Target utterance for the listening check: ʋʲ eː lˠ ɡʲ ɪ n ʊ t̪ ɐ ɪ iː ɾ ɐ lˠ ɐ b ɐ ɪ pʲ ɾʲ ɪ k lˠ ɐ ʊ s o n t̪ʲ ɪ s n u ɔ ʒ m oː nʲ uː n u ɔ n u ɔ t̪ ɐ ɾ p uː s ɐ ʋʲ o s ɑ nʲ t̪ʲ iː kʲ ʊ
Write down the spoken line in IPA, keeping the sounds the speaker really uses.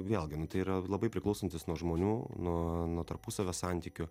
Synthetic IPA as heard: ʋʲ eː lˠ ɡʲ ɪ n ʊ t̪ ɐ ɪ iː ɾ ɐ lˠ ɐ b ɐ ɪ pʲ ɾʲ ɪ k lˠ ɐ ʊ s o n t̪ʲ ɪ s n u ɔ ʒ m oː nʲ uː n u ɔ n u ɔ t̪ ɐ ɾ p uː s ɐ ʋʲ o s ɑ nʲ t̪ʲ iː kʲ ʊ